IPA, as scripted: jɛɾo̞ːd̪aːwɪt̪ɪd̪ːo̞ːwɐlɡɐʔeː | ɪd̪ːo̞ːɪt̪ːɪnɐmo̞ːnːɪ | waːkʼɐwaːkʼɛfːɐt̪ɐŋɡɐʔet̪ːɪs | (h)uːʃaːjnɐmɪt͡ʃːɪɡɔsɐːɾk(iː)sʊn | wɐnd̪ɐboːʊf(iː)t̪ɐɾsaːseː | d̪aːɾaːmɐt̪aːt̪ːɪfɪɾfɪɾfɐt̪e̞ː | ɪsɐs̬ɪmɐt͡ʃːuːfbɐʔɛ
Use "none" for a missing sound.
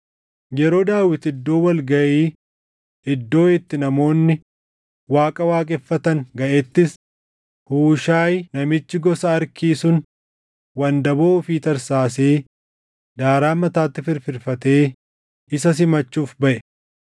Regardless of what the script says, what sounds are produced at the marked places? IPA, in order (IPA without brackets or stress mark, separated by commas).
h, iː, iː